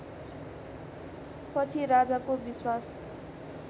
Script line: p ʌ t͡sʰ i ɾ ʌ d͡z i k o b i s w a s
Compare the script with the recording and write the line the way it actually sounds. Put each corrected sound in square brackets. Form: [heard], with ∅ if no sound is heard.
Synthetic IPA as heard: p ʌ t͡sʰ i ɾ [a] d͡z [a] k o b i s w a s